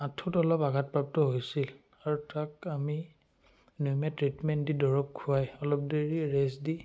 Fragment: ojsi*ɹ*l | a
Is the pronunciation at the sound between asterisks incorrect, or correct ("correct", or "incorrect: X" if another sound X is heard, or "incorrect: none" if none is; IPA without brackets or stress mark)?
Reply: incorrect: none